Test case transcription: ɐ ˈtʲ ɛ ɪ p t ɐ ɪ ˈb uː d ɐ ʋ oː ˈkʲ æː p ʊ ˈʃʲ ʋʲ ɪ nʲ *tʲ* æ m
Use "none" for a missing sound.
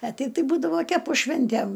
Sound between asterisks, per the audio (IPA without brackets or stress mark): tʲ